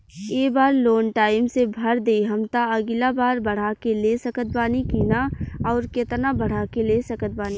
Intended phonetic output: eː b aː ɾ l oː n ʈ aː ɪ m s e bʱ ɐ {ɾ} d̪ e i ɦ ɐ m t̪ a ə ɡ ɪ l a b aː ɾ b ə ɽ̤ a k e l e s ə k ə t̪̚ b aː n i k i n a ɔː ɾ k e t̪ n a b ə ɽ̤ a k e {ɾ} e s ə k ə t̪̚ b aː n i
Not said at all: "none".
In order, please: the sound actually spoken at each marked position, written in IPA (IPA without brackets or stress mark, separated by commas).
ɾ, l